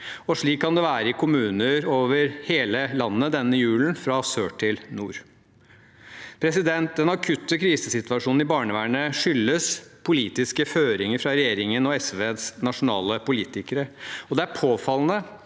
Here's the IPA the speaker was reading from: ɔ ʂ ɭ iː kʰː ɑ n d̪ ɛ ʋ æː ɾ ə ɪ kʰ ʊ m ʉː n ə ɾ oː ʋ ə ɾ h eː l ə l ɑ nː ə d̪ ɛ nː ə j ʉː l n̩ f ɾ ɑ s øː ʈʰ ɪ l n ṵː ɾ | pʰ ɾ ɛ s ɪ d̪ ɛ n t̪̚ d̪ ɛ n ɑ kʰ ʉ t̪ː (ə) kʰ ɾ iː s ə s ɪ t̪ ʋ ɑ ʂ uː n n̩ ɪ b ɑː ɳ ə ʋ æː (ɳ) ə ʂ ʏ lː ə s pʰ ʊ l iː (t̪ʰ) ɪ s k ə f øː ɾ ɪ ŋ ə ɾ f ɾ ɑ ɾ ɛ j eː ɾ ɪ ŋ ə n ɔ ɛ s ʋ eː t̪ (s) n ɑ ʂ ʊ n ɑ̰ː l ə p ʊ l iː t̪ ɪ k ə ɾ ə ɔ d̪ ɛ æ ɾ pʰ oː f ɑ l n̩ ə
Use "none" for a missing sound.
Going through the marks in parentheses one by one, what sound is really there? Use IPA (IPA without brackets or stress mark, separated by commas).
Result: ə, ɳ, t̪, s